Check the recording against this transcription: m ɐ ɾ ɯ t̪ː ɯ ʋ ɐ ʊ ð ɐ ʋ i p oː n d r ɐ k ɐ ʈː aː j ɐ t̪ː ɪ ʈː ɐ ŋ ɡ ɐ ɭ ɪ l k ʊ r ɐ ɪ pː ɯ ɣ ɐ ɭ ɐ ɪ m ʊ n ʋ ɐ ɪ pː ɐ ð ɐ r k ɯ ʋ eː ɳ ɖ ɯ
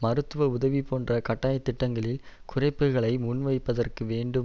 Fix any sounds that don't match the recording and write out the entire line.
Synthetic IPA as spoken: m ɐ ɾ ɯ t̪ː ɯ ʋ ɐ ʊ ð ɐ ʋ i p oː n d r ɐ k ɐ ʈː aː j ɐ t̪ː ɪ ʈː ɐ ŋ ɡ ɐ ɭ ɪ l k ʊ r ɐ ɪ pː ɯ ɣ ɐ ɭ ɐ ɪ m ʊ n ʋ ɐ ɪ pː ɐ ð ɐ r k ɯ ʋ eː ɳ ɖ ɯ